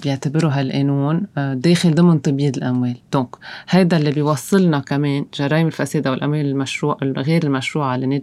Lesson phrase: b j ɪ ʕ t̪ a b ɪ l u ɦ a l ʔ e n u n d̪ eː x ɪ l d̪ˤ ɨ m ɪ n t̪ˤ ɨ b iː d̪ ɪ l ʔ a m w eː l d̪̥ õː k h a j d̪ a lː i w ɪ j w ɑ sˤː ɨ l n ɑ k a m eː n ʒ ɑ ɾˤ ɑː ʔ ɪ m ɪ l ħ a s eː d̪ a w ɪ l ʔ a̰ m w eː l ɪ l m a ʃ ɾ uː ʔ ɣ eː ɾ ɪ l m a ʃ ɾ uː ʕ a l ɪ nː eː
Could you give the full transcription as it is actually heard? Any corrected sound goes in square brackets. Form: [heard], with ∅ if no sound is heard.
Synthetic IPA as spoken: b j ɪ ʕ t̪ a b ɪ [ɾ] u ɦ a l ʔ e n [uː] n d̪ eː x ɪ l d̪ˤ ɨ m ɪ n t̪ˤ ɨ b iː d̪ ɪ l ʔ a m w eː l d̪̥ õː k h a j d̪ a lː i [b] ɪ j w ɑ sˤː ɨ l n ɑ k a m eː n ʒ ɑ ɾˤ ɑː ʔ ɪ m ɪ l [f] a s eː d̪ a w ɪ l ʔ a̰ m w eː l ɪ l m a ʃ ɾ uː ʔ ɣ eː ɾ ɪ l m a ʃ ɾ uː ʕ a l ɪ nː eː